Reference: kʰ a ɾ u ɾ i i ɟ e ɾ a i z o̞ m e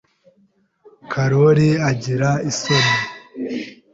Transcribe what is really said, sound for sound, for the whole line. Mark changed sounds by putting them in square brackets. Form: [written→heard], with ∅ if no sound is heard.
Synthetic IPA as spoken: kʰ a ɾ [u→o] ɾ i [i→a] ɟ [e→i] ɾ a i [z→s] o̞ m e